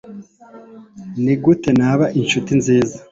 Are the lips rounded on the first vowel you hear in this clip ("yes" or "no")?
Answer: no